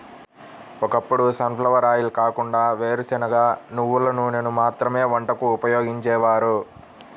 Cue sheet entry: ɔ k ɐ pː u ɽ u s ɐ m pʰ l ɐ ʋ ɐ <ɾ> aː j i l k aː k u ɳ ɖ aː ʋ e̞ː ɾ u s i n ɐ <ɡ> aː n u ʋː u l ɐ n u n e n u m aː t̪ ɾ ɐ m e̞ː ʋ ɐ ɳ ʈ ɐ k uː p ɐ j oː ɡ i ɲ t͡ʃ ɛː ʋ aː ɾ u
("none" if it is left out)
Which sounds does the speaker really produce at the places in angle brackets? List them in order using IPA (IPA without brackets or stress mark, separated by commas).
ɾ, ɡ